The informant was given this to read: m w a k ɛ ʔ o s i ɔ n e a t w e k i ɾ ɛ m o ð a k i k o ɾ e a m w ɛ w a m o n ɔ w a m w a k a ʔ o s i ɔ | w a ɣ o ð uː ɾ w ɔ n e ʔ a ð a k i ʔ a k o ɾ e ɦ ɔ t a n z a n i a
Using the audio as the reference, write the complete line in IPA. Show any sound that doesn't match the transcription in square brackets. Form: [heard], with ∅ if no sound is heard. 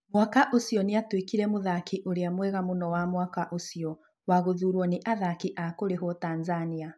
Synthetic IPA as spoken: m w a k [a] ʔ o s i ɔ n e a t w e k i ɾ ɛ m o ð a k i [ʔ] o ɾ e a m w ɛ [ɣ] a m o n ɔ w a m w a k a ʔ o s i ɔ | w a ɣ o ð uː ɾ w ɔ n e ʔ a ð a k i ʔ a k o ɾ e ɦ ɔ t a n z a n i a